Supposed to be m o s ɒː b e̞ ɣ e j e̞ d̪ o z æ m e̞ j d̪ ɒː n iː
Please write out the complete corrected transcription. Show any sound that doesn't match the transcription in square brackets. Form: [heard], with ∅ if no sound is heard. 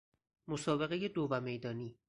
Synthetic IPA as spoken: m o s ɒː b e̞ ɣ e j e̞ d̪ o [v] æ m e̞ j d̪ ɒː n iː